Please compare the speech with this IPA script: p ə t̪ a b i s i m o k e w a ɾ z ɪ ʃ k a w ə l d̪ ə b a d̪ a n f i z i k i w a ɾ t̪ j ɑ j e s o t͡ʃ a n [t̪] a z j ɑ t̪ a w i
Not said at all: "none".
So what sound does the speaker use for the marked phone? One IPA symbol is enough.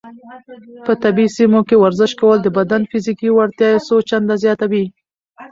d̪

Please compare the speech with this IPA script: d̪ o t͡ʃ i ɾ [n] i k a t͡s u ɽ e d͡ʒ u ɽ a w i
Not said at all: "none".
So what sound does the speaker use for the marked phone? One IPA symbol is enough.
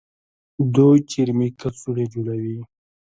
m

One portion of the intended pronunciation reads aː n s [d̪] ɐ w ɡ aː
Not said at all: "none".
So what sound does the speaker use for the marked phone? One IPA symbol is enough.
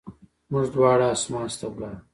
t̪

